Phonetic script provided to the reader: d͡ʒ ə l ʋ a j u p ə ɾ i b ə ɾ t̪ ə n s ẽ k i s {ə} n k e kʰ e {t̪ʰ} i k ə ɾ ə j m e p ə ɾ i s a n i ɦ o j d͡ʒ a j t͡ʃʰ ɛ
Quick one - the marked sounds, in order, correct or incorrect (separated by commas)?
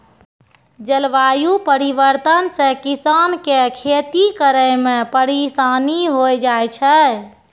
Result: incorrect, incorrect